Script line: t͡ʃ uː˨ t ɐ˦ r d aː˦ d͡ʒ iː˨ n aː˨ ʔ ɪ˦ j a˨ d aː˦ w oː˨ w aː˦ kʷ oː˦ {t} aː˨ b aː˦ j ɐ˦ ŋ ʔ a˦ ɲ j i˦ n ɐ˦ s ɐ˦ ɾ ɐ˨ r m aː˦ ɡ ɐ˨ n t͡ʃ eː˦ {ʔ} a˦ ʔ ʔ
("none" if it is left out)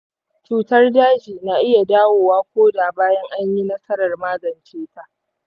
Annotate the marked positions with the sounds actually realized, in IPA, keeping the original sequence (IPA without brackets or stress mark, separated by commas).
d, t